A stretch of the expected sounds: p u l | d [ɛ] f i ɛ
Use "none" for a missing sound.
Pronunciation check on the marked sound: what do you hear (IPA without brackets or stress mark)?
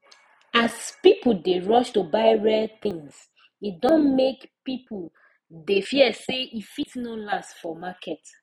e